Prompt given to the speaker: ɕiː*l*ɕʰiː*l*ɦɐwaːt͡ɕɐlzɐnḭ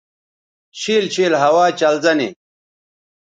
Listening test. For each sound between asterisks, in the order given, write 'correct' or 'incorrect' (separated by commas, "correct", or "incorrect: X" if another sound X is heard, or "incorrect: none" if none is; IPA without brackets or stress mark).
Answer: correct, correct